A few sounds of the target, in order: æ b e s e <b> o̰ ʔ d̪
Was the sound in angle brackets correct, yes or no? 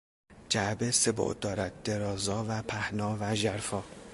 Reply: yes